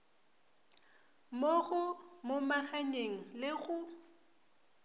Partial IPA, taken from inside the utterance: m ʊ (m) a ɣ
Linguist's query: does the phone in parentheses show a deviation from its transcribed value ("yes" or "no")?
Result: no